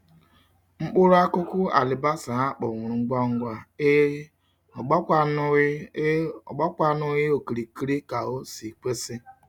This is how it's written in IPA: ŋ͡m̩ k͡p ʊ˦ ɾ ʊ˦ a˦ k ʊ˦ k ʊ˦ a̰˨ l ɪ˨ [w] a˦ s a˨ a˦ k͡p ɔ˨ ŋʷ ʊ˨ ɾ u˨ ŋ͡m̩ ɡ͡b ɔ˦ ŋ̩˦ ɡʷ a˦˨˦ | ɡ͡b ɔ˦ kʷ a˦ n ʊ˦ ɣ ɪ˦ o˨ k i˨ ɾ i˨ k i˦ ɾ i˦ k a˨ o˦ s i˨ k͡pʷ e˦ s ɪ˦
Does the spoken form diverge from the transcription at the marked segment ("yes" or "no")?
yes